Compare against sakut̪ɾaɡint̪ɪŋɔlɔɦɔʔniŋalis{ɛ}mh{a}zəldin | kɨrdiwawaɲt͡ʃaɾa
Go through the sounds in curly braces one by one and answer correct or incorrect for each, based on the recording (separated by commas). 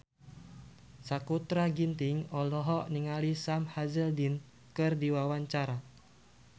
incorrect, correct